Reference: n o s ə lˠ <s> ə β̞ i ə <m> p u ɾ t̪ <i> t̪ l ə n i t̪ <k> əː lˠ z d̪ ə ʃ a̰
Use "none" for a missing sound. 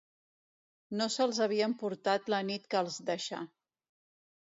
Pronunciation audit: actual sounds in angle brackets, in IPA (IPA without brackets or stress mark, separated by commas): z, m, a, k